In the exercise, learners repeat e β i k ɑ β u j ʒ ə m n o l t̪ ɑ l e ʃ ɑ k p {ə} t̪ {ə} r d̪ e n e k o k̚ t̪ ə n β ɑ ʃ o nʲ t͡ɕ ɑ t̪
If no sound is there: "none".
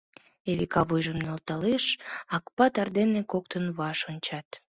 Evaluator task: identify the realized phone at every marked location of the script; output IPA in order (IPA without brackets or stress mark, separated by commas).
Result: ɑ, ɑ